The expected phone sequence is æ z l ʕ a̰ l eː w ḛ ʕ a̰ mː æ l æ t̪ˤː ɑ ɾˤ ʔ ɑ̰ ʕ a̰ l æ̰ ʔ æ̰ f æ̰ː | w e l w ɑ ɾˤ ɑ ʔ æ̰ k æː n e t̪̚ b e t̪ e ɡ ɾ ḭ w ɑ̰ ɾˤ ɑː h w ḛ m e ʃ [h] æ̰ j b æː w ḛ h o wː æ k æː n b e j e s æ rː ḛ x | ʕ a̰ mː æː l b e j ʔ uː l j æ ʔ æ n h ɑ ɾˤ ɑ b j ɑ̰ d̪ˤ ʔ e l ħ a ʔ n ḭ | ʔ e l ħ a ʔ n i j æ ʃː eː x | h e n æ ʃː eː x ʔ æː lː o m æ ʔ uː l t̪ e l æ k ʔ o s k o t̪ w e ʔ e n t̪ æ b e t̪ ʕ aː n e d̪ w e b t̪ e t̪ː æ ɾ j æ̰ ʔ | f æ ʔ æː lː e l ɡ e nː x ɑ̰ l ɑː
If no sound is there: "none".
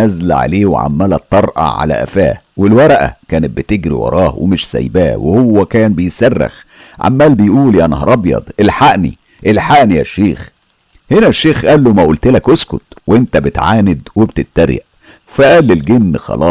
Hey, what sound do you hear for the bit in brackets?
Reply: s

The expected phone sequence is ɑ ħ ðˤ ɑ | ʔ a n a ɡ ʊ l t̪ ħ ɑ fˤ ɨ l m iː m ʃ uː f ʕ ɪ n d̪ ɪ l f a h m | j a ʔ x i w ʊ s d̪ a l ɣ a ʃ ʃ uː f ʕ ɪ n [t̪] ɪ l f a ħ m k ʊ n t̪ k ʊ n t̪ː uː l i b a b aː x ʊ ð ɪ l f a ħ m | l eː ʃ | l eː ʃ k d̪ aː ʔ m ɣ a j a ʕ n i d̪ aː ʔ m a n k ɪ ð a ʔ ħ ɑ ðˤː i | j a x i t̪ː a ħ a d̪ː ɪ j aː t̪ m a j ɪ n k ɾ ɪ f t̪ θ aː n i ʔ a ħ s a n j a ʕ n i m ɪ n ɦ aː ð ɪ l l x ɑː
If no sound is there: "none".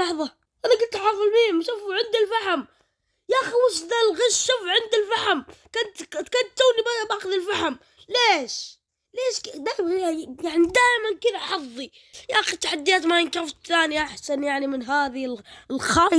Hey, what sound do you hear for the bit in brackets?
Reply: d̪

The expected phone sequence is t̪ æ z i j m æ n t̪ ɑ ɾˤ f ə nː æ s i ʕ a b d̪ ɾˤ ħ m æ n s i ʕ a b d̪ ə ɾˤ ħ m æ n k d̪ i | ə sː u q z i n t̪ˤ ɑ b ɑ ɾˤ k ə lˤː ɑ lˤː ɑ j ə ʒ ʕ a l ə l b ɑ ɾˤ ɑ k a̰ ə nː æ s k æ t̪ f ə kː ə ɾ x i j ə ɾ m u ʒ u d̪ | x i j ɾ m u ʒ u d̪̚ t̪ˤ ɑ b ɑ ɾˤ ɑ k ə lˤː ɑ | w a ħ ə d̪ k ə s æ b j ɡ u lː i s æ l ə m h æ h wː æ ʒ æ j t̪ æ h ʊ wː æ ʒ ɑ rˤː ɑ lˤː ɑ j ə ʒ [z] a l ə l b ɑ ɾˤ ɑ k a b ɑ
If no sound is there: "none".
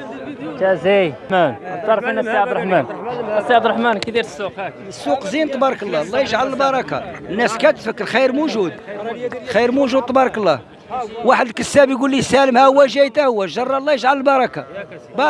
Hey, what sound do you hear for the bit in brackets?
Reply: ʕ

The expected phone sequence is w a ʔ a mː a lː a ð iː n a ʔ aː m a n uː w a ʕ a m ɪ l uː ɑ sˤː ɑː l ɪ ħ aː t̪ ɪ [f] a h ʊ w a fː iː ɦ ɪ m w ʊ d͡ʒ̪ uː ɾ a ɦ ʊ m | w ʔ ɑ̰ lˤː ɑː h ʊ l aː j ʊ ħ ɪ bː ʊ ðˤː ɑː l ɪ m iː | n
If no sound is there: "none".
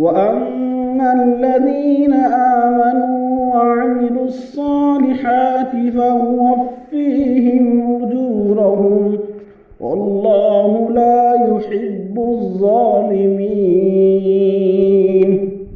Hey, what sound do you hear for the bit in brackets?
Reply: f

